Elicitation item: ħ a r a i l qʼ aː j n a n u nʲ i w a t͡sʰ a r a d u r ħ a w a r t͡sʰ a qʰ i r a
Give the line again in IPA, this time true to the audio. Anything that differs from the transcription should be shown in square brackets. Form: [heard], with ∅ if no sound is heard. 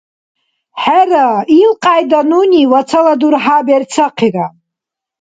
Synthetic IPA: ħ a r a i l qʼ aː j [d] a n u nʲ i w a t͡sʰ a [l] a d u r ħ a [b] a r t͡sʰ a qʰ i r a